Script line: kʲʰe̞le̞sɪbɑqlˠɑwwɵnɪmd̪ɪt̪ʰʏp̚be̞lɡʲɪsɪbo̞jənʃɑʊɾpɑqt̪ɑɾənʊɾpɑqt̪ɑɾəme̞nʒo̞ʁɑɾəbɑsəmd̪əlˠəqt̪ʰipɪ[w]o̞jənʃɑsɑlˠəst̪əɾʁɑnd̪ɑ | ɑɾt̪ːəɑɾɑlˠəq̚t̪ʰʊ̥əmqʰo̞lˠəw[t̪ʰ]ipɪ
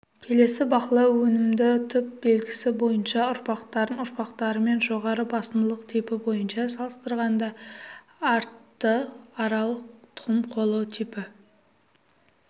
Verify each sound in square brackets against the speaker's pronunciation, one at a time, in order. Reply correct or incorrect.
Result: incorrect, correct

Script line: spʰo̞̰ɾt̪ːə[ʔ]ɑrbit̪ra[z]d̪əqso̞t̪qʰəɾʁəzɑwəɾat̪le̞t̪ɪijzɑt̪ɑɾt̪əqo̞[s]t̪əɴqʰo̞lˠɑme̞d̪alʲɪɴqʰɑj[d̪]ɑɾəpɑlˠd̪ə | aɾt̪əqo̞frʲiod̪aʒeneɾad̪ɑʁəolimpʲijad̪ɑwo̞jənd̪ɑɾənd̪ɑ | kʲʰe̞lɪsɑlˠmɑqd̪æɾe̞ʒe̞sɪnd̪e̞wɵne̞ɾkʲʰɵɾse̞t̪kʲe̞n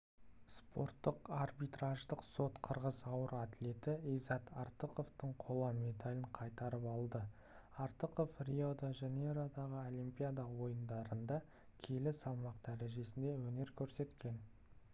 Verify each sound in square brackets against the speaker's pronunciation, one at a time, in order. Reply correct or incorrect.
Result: incorrect, incorrect, incorrect, incorrect

